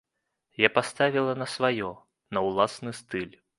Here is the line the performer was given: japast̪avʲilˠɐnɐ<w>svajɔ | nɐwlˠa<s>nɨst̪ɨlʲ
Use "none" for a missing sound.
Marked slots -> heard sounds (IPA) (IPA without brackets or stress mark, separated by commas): none, s